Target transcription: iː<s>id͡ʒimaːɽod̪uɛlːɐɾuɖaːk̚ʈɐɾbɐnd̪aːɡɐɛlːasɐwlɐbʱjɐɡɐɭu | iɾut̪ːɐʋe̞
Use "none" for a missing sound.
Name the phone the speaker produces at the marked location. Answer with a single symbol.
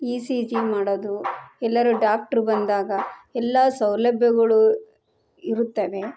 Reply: s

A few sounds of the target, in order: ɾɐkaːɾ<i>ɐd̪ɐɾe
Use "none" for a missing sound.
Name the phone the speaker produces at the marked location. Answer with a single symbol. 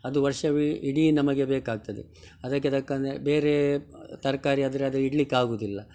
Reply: i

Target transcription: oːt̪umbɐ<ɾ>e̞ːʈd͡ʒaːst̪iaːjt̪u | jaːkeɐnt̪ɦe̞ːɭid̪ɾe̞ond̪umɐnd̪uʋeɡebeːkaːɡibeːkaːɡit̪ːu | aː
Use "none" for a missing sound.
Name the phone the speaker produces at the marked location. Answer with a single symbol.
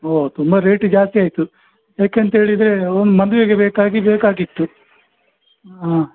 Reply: ɾ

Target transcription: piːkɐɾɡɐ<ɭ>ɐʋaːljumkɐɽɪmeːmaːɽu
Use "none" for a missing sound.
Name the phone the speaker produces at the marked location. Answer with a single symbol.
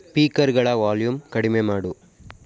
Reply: ɭ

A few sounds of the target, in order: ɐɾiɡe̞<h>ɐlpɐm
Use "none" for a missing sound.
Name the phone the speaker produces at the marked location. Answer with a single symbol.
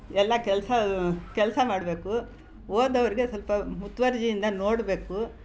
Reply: s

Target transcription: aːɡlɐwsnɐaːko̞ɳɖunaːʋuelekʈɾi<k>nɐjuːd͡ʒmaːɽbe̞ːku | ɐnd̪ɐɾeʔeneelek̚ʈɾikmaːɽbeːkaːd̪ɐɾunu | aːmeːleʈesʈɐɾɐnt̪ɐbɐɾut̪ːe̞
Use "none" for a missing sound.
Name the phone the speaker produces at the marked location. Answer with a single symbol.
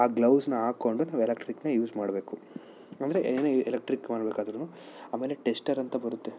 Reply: k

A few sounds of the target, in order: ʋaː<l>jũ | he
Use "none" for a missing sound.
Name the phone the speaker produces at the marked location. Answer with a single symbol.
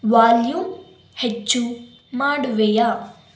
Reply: l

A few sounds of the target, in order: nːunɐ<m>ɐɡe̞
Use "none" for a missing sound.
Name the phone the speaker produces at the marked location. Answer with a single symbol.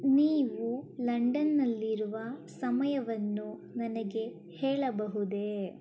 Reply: n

